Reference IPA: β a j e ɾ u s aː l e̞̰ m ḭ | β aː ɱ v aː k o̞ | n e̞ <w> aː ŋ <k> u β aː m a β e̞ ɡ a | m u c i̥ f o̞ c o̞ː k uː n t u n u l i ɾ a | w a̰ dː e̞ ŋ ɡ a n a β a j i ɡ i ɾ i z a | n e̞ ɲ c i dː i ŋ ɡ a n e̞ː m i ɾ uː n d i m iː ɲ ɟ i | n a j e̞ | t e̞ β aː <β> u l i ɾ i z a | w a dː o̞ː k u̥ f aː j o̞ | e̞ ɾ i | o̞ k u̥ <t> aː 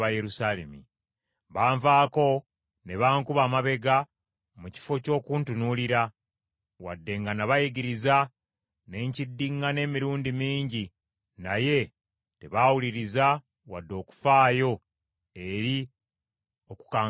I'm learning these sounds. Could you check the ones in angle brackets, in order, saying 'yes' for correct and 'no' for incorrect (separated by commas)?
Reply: no, yes, no, no